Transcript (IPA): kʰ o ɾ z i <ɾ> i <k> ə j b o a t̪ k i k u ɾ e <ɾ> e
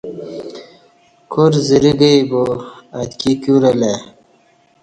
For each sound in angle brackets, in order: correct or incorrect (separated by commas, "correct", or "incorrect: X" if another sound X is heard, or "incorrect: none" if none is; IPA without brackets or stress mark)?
correct, incorrect: ɡ, incorrect: l